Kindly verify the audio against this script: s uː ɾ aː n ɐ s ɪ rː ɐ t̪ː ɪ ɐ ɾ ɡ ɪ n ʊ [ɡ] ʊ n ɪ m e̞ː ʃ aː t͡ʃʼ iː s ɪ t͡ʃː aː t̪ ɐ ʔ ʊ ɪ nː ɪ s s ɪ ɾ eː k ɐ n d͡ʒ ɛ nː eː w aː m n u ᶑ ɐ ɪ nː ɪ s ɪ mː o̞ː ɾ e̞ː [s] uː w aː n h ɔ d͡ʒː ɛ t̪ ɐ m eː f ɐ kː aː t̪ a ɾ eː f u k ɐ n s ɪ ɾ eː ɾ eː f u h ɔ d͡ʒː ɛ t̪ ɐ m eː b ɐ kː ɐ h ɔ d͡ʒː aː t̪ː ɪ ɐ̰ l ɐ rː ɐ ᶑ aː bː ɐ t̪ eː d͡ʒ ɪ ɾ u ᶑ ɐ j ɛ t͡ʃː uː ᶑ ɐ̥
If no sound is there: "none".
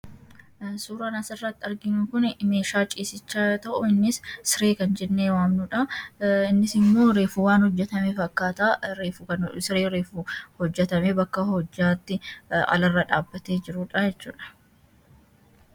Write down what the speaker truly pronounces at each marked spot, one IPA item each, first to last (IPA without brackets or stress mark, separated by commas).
k, f